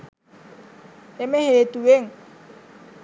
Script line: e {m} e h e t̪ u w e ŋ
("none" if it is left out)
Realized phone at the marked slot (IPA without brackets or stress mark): m